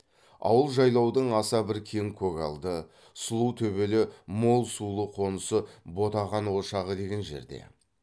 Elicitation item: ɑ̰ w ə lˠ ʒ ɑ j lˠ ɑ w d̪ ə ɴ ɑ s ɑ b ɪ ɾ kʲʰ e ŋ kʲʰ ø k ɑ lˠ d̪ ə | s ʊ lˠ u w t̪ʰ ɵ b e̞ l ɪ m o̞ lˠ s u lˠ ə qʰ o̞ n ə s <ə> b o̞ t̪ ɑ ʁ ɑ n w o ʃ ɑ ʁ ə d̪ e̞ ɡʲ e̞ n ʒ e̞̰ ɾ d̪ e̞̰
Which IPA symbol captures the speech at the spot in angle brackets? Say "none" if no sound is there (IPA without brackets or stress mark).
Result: ə